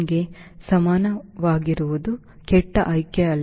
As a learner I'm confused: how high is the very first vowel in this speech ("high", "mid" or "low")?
mid